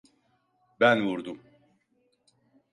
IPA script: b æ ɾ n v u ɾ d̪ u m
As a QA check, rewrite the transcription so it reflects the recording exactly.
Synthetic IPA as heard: b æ n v u ɾ d̪ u m